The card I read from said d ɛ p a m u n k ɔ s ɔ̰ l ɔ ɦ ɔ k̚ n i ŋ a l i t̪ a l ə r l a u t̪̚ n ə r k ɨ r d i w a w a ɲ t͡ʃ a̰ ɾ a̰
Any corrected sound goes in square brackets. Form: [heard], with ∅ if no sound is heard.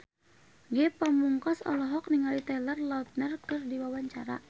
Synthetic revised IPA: [ɡ] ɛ p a m u [ŋ] k ɔ s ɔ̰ l ɔ ɦ ɔ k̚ n i ŋ a l i t̪ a l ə r l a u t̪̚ n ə r k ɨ r d i w a w a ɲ t͡ʃ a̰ ɾ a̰